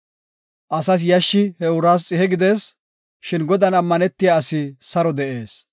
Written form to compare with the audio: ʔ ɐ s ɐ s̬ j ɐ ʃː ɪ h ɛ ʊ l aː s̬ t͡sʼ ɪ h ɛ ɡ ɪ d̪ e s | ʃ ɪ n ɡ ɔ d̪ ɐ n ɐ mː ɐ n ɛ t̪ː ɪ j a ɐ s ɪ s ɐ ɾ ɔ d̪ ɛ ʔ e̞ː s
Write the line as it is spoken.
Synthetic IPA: ʔ ɐ s ɐ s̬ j ɐ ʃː ɪ h ɛ ʊ ɾ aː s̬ t͡sʼ ɪ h ɛ ɡ ɪ d̪ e s | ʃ ɪ n ɡ ɔ d̪ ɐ n ɐ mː ɐ n ɛ t̪ː ɪ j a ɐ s ɪ s ɐ ɾ ɔ d̪ ɛ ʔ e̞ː s